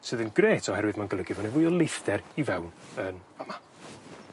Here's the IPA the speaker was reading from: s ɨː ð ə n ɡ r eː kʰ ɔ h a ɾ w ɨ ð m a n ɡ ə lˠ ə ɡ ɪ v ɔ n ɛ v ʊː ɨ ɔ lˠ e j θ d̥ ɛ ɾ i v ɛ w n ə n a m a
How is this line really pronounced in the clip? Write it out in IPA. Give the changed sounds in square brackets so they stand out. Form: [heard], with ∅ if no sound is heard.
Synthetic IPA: s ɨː ð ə n ɡ r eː [tʰ] ɔ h [ɛ] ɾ w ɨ ð m a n ɡ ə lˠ ə ɡ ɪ v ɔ n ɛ v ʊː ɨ ɔ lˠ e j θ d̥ ɛ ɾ i v ɛ w n ə n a m a